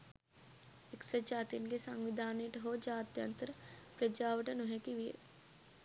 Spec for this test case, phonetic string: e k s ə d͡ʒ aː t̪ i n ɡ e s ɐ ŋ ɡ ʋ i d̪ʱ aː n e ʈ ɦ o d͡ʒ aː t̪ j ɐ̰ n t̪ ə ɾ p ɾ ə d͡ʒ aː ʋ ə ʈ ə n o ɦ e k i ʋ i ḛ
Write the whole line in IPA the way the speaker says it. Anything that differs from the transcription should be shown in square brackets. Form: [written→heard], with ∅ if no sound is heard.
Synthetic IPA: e k s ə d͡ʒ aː t̪ i n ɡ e s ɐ ŋ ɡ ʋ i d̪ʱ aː n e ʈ ɦ o d͡ʒ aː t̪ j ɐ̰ n t̪ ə ɾ p ɾ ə d͡ʒ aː ʋ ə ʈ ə n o ɦ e k i ʋ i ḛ